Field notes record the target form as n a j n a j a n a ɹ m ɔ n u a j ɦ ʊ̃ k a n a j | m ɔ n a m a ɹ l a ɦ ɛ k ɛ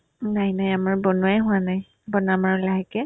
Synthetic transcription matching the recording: n a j n a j a m a ɹ b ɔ n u a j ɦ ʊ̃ a n a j | b ɔ n a m a ɹ l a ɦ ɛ k ɛ

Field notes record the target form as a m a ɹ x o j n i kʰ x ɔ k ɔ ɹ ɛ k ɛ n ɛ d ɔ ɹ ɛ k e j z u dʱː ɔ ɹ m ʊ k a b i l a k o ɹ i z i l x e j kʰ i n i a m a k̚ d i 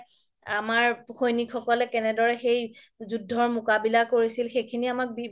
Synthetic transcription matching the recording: a m a ɹ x o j n i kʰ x ɔ k ɔ l ɛ k ɛ n ɛ d ɔ ɹ ɛ x e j z u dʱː ɔ ɹ m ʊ k a b i l a k o ɹ i s i l x e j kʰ i n i a m a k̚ b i

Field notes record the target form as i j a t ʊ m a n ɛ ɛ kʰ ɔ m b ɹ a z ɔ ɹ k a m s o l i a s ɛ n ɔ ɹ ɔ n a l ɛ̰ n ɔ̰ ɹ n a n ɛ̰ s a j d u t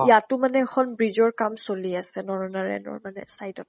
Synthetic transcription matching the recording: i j a t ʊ m a n ɛ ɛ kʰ ɔ n b ɹ i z ɔ ɹ k a m s o l i a s ɛ n ɔ ɹ ɔ n a ɹ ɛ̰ n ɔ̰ ɹ m a n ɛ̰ s a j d ɔ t

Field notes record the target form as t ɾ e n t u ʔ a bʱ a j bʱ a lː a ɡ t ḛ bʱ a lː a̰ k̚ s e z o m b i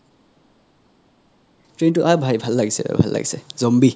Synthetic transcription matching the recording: t ɾ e n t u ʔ a bʱ a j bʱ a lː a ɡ s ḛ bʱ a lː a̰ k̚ s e z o m b i

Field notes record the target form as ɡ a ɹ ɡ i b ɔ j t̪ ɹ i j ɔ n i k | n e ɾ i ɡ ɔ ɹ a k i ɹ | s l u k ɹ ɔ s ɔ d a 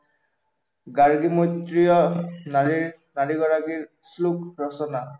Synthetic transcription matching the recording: ɡ a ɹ ɡ i m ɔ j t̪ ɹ i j ɔ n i | n a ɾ i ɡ ɔ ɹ a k i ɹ | s l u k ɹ ɔ s ɔ n a

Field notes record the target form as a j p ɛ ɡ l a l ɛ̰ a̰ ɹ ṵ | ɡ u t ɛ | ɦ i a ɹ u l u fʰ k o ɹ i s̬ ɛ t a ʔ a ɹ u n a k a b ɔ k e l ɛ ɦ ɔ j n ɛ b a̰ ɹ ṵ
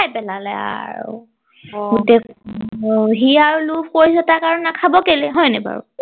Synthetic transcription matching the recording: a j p ɛ l a l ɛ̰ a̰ ɹ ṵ | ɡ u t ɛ | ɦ i a ɹ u l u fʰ k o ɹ i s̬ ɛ t a k a ɹ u n a kʰ a b ɔ k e l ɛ ɦ ɔ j n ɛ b a̰ ɹ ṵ

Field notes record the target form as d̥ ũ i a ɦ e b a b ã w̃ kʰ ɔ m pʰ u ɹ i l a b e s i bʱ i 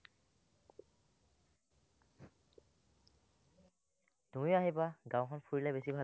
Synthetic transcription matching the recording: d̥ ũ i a ɦ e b a ɡ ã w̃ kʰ ɔ n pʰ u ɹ i l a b e s i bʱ a

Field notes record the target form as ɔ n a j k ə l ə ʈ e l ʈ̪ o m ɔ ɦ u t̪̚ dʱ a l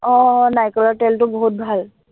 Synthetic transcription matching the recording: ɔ n a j k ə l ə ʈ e l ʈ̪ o b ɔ ɦ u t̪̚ bʱ a l

